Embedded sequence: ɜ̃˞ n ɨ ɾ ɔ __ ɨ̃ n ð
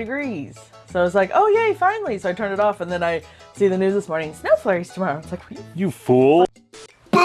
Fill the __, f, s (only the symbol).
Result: f